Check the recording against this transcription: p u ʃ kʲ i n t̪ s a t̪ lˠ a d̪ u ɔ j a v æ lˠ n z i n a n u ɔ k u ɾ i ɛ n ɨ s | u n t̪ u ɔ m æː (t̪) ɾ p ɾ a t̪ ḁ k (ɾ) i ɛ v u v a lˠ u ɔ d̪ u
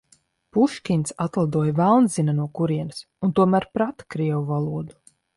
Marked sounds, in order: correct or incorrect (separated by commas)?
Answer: incorrect, correct